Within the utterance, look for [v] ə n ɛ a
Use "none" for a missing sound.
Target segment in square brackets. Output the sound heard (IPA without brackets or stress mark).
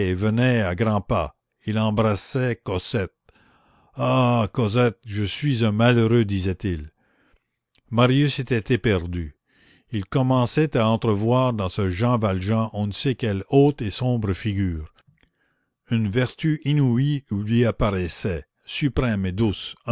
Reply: v